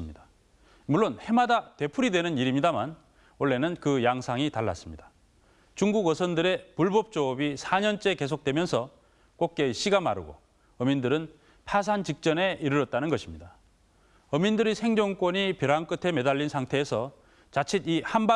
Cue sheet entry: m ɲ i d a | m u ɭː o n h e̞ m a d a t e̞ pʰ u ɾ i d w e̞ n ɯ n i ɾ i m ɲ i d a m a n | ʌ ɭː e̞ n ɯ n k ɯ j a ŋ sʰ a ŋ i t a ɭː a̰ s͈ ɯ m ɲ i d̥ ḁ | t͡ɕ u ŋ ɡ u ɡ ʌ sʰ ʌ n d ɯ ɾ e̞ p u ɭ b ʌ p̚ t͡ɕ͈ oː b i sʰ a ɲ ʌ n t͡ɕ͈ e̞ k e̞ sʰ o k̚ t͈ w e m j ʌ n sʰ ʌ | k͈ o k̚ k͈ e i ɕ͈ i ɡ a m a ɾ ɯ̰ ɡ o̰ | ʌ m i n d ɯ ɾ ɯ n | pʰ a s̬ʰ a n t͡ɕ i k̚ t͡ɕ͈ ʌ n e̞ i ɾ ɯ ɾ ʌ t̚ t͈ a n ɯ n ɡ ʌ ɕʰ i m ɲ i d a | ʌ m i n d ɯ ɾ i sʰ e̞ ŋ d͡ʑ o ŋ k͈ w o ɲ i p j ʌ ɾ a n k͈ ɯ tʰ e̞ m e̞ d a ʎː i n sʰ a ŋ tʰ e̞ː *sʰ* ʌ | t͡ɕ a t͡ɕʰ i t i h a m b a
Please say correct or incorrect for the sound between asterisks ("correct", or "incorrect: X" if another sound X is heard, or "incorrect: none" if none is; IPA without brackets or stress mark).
correct